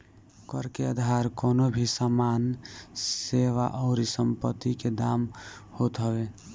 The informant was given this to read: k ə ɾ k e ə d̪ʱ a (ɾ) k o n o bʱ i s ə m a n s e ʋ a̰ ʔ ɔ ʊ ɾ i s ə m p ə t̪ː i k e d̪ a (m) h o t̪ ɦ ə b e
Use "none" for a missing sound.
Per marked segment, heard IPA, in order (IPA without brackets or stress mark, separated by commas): ɾ, m